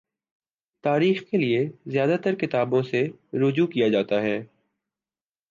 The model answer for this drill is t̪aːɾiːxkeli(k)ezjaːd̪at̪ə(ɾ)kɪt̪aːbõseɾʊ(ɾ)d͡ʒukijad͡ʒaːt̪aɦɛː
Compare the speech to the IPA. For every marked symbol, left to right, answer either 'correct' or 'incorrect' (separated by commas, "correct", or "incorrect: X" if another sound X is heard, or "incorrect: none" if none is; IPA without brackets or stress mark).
incorrect: none, correct, incorrect: none